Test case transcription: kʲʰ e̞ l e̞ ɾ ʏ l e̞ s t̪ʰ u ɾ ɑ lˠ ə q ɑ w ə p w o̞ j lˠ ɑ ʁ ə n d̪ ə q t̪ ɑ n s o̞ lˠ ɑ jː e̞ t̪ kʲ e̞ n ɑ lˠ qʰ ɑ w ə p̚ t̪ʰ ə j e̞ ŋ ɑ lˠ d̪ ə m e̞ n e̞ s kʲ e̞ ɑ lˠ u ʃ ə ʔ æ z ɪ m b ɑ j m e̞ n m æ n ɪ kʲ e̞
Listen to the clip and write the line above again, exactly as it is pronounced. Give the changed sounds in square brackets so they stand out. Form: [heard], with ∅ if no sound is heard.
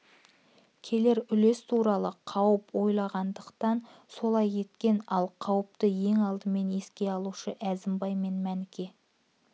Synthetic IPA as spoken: kʲʰ e̞ l e̞ ɾ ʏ l e̞ s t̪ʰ u ɾ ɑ lˠ ə [qʰ] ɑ w ə p w o̞ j lˠ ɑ ʁ [ɑ] n d̪ ə q t̪ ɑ n s o̞ lˠ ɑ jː e̞ t̪ kʲ e̞ n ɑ lˠ qʰ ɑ w ə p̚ [t̪] ə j e̞ ŋ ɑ lˠ d̪ ə m e̞ n e̞ s kʲ e̞ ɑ lˠ u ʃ ə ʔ æ z ɪ m b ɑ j m e̞ n m æ n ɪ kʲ e̞